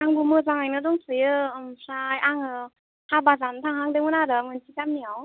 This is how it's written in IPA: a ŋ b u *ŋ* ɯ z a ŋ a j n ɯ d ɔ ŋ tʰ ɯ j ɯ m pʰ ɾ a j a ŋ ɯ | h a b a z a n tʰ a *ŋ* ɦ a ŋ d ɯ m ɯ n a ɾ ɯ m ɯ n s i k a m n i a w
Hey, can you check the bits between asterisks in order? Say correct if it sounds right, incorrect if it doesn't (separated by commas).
incorrect, correct